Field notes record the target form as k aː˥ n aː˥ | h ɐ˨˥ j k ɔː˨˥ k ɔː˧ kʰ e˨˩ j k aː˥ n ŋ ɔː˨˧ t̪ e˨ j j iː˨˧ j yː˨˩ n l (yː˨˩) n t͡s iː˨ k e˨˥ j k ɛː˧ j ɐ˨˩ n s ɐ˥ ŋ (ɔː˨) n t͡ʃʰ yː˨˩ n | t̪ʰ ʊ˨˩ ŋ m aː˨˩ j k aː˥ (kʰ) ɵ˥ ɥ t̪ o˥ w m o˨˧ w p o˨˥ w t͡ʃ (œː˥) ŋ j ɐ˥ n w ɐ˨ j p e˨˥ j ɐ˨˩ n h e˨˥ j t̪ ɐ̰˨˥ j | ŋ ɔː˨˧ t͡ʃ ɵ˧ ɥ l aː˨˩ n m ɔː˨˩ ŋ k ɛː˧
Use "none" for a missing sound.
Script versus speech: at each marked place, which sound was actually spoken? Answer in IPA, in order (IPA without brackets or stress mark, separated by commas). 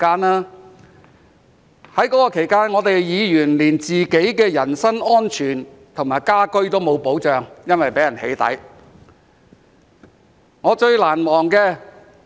iː˨˩, ɔː˥, k, œː˨˧